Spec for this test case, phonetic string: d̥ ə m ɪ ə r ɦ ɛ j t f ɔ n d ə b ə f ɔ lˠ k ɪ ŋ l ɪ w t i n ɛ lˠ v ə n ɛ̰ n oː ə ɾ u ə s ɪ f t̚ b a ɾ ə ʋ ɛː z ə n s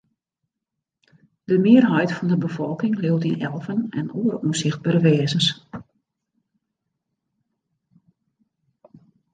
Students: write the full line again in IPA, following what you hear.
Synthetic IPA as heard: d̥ ə m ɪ ə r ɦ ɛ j t f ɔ n d ə b ə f ɔ lˠ k ɪ ŋ l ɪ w t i n ɛ lˠ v ə n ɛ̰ n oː ə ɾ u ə s ɪ x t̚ b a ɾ ə ʋ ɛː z ə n s